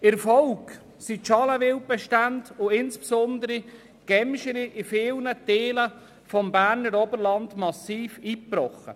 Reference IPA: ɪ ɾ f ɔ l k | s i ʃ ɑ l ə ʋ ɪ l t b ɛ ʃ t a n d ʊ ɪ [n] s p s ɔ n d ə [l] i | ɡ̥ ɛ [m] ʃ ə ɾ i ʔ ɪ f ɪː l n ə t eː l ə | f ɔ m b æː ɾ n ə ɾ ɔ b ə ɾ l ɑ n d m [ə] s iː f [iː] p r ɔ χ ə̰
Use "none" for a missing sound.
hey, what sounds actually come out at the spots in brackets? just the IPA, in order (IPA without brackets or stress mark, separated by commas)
n, ɾ, m, ɑ, iː